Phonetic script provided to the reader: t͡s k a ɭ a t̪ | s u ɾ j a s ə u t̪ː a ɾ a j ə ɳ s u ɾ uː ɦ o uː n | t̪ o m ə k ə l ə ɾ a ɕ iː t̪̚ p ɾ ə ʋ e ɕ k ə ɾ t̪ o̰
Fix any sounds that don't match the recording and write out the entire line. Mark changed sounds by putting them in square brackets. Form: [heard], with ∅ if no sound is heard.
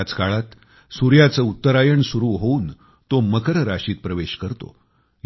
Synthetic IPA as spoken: t͡s k a ɭ a t̪ | s u ɾ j a [t͡s] ə u t̪ː [ə] ɾ a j ə ɳ s u ɾ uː ɦ o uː n | t̪ o m ə k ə [ɾ] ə ɾ a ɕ iː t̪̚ p ɾ ə ʋ e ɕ k ə ɾ t̪ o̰